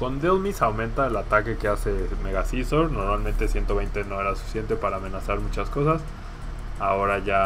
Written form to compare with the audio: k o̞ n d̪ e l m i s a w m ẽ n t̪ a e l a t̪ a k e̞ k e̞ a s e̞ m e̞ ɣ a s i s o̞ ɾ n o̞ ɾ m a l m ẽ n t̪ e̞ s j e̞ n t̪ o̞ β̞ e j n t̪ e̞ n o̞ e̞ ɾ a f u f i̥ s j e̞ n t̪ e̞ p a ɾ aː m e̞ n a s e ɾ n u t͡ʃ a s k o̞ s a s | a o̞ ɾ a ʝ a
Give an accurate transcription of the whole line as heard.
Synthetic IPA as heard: k o̞ n d̪ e l m i s a w m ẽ n t̪ a e l a t̪ a k e̞ k e̞ a s e̞ m e̞ ɣ a s i s o̞ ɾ n o̞ ɾ m a l m ẽ n t̪ e̞ s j e̞ n t̪ o̞ β̞ e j n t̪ e̞ n o̞ e̞ ɾ a s u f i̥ s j e̞ n t̪ e̞ p a ɾ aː m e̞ n a s a ɾ m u t͡ʃ a s k o̞ s a s | a o̞ ɾ a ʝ a